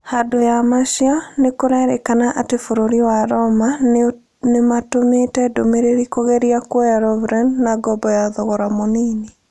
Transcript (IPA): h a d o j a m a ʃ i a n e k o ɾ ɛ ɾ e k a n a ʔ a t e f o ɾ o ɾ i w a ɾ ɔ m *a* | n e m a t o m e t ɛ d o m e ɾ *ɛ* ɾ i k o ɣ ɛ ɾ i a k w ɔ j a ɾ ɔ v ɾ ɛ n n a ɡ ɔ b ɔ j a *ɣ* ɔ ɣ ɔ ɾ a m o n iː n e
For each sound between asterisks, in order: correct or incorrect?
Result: correct, incorrect, incorrect

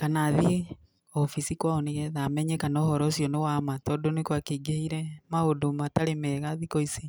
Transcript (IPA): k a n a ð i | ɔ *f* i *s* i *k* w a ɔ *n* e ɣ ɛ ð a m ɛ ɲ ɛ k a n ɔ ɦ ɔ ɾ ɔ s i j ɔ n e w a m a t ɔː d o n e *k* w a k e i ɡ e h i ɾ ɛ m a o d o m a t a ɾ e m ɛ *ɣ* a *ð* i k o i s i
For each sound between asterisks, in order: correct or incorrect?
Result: correct, correct, correct, correct, correct, correct, correct

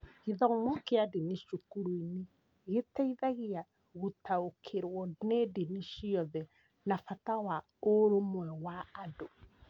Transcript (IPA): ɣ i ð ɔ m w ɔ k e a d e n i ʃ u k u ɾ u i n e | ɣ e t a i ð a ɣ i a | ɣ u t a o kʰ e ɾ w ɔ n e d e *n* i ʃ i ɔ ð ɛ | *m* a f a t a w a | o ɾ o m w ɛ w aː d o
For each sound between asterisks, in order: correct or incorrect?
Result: correct, incorrect

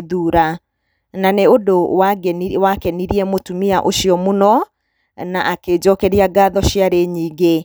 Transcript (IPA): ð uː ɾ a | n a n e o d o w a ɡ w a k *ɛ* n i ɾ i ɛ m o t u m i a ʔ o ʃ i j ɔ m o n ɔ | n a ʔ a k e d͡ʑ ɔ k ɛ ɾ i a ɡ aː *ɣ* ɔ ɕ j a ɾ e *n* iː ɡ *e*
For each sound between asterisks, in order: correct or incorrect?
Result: correct, incorrect, incorrect, correct

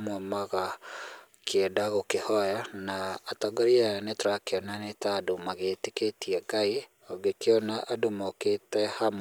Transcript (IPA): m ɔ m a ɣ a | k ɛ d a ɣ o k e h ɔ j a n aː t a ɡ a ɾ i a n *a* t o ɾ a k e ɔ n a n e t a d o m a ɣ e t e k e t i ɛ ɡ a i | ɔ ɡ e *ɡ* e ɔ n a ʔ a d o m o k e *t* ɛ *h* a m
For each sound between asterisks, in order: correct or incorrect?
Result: incorrect, incorrect, correct, correct

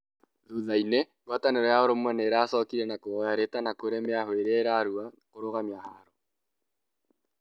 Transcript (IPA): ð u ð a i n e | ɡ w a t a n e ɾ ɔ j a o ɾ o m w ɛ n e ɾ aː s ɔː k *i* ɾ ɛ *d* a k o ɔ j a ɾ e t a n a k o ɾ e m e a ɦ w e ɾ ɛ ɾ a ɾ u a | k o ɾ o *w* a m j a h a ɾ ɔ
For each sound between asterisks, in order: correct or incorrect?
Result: correct, incorrect, incorrect

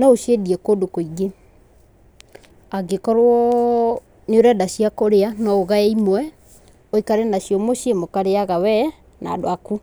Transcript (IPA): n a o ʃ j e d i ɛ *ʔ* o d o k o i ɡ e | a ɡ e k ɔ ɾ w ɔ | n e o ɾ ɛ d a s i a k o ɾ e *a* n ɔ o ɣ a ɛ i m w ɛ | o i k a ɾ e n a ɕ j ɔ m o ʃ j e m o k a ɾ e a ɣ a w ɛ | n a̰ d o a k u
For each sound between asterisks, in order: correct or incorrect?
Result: incorrect, correct

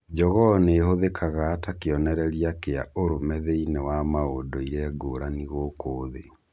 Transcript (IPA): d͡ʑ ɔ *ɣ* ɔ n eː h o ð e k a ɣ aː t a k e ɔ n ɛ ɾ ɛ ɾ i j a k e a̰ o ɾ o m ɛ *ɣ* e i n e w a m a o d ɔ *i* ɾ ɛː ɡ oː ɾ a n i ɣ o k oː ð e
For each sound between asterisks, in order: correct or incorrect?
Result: correct, incorrect, correct

